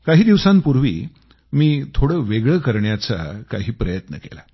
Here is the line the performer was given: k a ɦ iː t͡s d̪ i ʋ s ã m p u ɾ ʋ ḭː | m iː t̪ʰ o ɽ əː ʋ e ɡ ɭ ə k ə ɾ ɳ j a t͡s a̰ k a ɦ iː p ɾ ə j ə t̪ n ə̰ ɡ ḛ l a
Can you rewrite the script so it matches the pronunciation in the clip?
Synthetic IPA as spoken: k a ɦ iː d̪ i ʋ s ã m p u ɾ ʋ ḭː | m iː t̪ʰ o ɽ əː ʋ e ɡ ɭ ə k ə ɾ ɳ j a t͡s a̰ k a ɦ iː p ɾ ə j ə t̪ n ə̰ k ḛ l a